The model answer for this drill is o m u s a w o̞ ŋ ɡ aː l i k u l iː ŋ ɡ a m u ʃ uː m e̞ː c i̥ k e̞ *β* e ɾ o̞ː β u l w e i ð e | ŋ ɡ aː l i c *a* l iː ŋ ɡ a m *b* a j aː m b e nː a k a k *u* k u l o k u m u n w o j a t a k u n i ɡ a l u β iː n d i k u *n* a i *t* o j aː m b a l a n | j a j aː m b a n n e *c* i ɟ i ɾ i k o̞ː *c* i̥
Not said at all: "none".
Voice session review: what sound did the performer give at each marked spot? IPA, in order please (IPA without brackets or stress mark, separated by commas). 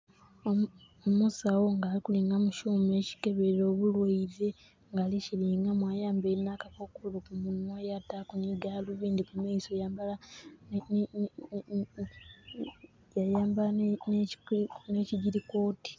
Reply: β, i, w, o, m, s, c, t